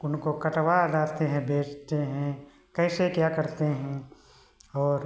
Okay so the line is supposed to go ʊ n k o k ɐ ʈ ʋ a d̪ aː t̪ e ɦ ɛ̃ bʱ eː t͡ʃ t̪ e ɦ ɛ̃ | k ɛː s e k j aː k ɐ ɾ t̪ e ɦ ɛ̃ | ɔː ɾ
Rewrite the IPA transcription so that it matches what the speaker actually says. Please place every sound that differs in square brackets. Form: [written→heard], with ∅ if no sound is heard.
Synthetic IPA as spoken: ʊ n k o k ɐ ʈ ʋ a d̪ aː t̪ e ɦ ɛ̃ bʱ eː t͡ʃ t̪ e ɦ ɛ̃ | k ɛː s e k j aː k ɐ ɾ t̪ e ɦ ɛ̃ | ɔː ɾ